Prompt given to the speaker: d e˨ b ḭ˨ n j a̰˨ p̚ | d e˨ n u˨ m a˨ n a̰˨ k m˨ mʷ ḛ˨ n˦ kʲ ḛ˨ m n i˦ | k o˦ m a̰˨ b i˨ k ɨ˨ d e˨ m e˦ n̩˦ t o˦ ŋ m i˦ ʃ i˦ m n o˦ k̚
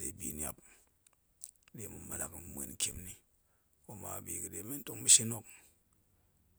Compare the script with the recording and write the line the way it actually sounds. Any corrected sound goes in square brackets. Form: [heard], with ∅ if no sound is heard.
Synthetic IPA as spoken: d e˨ b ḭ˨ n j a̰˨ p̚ | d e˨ [m] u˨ m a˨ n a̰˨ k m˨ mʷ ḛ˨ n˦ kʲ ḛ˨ m n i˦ | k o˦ m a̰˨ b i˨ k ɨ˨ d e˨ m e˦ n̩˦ t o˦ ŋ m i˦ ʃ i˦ [∅] n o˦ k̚